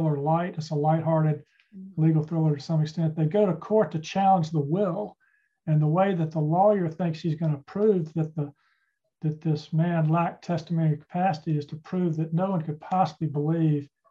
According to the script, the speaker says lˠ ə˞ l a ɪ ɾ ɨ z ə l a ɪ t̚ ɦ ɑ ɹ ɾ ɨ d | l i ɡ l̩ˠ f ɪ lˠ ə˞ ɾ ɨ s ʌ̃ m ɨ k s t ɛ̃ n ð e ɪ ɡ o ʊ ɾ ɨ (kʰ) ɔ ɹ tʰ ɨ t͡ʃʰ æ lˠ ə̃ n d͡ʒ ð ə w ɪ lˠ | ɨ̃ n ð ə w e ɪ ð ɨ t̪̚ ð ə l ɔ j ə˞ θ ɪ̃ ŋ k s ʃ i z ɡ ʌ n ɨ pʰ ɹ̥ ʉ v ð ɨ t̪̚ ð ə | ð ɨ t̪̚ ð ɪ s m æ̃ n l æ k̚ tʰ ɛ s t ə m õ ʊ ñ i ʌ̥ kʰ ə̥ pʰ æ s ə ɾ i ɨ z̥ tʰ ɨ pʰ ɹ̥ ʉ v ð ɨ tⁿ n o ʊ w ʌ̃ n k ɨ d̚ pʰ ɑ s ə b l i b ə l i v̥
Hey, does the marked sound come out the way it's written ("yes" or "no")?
yes